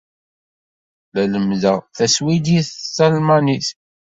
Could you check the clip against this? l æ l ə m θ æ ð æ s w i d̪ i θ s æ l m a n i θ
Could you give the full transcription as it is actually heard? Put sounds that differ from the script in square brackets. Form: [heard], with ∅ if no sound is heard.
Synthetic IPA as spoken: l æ l ə m [ð] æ [θ] æ s w i d̪ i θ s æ l m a n i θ

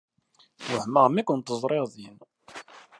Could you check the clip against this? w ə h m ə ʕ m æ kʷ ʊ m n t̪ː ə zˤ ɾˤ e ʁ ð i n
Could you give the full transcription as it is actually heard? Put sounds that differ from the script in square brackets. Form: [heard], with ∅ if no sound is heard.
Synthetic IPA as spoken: w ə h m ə [ʁ] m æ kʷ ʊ [∅] n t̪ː ə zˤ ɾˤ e ʁ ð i n

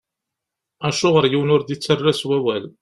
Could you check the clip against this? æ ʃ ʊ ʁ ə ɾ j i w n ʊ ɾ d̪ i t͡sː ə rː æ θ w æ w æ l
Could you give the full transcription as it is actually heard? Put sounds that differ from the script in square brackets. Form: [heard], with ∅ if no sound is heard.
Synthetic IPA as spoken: æ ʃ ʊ ʁ ə ɾ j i w n ʊ ɾ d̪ i t͡sː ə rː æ [s] w æ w æ l

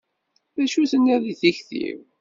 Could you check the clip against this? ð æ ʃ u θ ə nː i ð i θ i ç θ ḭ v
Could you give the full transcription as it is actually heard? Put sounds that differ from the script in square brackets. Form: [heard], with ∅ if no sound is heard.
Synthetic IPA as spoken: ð æ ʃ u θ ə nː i ð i θ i ç θ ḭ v

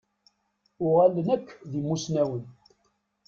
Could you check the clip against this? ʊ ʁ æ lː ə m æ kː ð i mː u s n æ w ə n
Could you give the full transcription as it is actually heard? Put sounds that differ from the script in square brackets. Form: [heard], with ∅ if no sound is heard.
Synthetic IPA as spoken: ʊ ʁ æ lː ə [n] æ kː ð i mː u s n æ w ə n

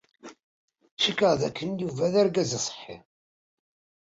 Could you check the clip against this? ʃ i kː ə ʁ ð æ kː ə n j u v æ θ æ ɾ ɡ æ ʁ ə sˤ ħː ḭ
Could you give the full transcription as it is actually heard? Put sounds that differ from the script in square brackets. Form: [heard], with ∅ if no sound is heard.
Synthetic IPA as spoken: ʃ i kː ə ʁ ð æ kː ə n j u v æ [ð] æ ɾ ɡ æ [z] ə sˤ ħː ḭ

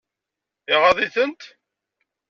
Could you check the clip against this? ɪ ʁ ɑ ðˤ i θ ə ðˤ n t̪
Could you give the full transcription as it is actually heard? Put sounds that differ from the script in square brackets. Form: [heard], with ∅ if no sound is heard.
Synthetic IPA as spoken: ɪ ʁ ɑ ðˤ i θ ə [∅] n t̪

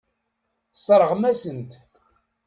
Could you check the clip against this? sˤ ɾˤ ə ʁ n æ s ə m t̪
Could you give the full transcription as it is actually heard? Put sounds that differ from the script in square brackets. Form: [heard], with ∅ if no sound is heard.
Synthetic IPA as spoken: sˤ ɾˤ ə ʁ [m] æ s ə [n] t̪

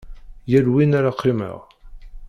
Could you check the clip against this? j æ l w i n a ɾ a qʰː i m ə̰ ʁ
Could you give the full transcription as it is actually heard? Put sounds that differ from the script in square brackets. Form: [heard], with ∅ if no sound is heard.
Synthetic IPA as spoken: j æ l w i n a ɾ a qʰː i m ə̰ ʁ

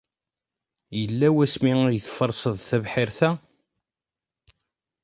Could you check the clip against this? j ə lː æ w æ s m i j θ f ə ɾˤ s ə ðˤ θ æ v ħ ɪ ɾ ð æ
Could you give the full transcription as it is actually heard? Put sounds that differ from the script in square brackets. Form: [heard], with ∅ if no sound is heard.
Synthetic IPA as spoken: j ə lː æ w æ s m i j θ f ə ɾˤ s ə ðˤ θ æ v ħ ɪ ɾ [θ] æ

